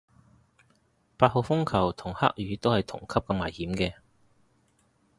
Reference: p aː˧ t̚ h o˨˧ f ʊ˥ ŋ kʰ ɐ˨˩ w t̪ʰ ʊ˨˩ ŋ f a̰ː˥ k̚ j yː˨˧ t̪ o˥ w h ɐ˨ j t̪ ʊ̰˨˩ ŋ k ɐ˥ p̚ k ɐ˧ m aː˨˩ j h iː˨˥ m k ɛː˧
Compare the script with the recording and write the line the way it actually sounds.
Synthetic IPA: p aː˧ t̚ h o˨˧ f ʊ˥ ŋ kʰ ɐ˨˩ w t̪ʰ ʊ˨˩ ŋ h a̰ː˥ k̚ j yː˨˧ t̪ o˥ w h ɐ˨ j t̪ʰ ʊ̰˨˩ ŋ kʰ ɐ˥ p̚ k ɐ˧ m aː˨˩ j h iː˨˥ m k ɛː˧